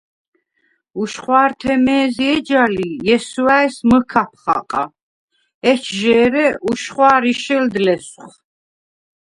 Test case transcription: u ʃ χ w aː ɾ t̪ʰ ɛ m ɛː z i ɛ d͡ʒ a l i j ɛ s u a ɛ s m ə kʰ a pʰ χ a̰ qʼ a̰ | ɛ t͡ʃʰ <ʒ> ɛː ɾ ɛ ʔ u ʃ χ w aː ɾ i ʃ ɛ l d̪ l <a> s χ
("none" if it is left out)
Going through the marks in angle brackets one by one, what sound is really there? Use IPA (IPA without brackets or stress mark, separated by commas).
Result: ʒ, ɛ